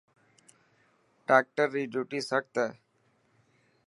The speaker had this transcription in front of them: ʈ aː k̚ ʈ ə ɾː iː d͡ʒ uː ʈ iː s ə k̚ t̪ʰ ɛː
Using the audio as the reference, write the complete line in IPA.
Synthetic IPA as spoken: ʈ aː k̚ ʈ ə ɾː iː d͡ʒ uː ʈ iː s ə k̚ t̪ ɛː